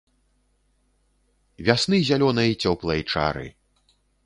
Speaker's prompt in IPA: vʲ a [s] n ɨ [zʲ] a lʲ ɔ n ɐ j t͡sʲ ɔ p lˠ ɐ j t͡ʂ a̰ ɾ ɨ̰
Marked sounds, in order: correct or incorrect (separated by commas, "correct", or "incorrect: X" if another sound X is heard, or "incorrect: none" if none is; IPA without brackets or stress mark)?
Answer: correct, correct